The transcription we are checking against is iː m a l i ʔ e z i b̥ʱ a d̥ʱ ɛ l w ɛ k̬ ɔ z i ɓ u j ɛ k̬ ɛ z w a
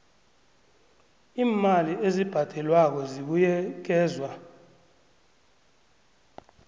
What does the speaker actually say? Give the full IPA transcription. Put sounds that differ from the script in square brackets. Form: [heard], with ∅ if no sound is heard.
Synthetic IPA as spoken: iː m a l i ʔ e z i b̥ʱ a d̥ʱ ɛ l w [a] k̬ ɔ z i ɓ u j ɛ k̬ [ɛː] z w a

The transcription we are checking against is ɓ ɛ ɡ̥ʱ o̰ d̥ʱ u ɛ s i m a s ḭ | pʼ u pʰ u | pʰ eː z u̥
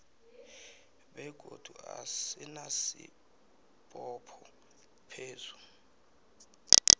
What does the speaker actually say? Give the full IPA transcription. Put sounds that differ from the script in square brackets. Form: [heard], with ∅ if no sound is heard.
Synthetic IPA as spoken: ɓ ɛ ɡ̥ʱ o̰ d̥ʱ u [a] s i [n] a s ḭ | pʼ [ɔ] pʰ [ɔ] | pʰ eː z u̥

